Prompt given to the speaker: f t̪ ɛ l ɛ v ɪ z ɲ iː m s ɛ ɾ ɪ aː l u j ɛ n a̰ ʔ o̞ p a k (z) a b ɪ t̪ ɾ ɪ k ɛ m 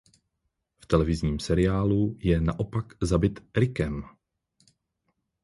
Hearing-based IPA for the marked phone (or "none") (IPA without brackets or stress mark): z